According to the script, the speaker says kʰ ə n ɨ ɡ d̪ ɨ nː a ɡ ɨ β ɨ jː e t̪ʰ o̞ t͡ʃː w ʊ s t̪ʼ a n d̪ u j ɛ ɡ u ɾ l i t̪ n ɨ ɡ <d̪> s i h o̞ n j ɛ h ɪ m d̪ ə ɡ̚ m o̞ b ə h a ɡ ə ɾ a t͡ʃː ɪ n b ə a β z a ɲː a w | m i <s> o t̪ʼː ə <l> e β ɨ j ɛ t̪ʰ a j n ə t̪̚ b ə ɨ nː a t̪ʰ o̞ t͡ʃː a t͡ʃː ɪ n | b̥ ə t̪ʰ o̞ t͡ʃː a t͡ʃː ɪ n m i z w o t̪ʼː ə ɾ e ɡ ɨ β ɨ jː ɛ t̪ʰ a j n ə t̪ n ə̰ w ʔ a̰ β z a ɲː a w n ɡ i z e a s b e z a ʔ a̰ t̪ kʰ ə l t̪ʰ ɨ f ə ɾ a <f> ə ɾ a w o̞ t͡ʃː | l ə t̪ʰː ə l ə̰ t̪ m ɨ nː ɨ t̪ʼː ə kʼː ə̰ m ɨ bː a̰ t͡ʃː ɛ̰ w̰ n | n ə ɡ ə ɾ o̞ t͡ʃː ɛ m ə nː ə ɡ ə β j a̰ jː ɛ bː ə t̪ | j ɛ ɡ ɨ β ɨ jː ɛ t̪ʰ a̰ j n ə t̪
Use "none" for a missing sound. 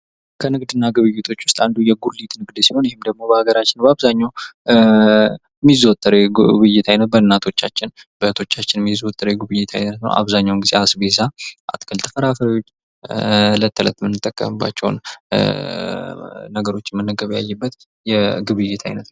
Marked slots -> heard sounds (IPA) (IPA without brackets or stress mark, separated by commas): d̪, z, ɾ, f